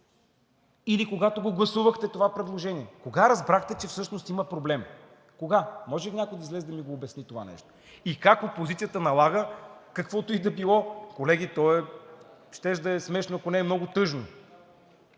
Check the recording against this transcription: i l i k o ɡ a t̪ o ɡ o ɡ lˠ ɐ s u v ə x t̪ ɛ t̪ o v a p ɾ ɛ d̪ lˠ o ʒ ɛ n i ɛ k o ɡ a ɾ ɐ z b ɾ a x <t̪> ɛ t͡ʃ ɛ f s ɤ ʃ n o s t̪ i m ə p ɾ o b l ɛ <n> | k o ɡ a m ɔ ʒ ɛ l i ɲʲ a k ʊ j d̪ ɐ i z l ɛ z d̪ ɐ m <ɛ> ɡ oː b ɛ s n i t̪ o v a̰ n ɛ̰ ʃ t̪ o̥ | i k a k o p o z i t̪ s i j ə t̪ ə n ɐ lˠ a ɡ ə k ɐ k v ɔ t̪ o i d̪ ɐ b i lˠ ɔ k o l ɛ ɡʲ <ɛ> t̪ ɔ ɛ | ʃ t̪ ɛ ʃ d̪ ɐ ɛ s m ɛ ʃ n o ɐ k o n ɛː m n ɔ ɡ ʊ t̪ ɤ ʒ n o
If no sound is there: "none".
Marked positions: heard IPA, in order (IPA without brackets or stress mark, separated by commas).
t̪, m, i, i